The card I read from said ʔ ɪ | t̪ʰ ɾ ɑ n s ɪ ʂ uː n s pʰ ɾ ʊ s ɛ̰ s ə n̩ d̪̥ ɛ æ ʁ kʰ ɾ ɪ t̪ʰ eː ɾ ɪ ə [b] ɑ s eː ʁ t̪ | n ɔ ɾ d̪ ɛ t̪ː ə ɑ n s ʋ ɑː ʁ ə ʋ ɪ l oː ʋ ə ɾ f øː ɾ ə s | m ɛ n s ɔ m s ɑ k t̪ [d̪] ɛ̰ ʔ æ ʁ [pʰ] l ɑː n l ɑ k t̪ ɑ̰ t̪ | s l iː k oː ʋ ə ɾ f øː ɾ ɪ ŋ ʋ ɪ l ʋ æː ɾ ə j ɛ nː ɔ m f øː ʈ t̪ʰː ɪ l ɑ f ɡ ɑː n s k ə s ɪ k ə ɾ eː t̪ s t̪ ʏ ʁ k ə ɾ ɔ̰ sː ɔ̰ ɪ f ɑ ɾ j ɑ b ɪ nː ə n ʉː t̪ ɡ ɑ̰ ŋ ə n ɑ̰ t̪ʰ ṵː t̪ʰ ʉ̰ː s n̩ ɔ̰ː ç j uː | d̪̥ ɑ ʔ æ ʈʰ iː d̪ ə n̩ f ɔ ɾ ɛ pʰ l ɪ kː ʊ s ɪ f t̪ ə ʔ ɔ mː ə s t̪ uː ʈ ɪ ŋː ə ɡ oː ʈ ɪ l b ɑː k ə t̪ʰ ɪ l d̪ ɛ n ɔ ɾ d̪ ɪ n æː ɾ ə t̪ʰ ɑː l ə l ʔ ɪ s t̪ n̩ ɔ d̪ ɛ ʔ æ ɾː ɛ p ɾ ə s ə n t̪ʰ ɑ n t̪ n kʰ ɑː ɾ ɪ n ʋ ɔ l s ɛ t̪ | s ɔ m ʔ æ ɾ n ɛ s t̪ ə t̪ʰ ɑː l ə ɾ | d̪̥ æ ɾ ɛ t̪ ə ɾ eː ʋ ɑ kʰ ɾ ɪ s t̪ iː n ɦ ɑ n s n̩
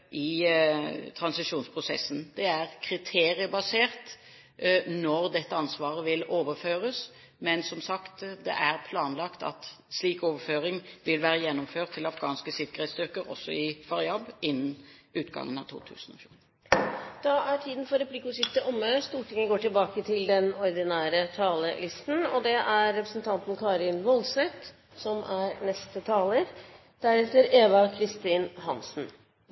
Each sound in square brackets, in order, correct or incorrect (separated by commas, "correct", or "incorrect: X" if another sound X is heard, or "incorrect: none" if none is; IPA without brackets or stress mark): correct, correct, correct